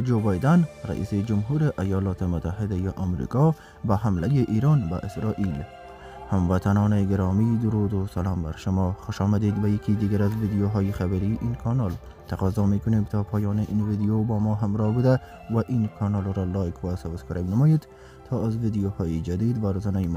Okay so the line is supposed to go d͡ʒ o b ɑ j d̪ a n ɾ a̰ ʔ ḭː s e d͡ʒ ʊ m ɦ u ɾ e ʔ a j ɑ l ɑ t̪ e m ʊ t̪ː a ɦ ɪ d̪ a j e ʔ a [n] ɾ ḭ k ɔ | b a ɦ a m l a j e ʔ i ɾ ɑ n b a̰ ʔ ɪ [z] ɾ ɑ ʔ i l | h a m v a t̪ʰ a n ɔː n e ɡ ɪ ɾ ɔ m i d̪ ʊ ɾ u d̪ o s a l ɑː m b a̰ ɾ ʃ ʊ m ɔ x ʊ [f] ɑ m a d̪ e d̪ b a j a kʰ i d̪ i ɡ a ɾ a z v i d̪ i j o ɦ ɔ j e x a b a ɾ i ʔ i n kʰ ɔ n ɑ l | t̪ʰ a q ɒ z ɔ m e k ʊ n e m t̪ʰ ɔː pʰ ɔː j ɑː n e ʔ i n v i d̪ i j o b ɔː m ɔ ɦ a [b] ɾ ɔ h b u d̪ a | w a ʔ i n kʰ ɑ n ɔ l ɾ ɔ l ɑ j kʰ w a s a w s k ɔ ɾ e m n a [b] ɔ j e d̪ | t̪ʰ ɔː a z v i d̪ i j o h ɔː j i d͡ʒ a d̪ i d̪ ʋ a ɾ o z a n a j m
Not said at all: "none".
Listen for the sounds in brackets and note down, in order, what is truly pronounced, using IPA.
m, s, ʃ, m, m

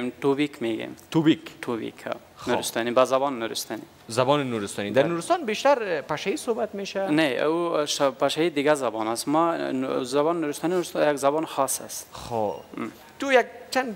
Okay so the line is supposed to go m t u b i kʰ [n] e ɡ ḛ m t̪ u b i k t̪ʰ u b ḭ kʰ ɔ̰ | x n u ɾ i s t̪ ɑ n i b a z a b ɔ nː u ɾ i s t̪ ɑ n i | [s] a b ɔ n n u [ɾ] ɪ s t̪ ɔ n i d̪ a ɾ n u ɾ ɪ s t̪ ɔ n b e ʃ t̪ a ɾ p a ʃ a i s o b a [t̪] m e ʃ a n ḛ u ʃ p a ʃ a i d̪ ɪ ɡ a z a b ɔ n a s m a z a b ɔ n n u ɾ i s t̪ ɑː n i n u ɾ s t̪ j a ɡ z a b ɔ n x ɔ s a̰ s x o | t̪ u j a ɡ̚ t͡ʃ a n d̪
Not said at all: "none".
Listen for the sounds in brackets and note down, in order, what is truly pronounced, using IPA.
m, z, ɾ, t̪

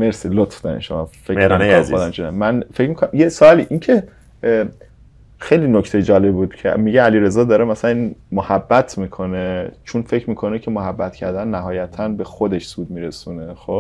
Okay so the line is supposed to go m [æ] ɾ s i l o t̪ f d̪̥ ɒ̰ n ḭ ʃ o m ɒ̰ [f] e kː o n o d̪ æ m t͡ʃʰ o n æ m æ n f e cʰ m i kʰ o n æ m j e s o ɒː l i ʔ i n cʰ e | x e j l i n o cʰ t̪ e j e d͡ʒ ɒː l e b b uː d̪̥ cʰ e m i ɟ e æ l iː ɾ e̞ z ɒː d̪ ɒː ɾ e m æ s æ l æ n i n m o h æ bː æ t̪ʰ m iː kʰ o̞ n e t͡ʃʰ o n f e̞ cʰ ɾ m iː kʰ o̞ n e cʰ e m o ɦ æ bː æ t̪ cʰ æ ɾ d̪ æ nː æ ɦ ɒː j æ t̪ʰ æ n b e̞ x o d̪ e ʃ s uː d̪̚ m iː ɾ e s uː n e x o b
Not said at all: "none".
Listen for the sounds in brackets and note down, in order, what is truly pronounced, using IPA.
e, f

